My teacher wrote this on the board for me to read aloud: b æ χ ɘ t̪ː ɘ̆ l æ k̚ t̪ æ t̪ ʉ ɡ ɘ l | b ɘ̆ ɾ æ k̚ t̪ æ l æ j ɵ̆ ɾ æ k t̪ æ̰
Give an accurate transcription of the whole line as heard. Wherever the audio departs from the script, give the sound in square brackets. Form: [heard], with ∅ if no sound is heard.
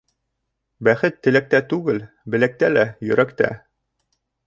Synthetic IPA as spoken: b æ χ ɘ t̪ː ɘ̆ l æ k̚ t̪ æ t̪ ʉ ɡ ɘ l | b ɘ̆ [l] æ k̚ t̪ æ l æ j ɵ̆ ɾ æ k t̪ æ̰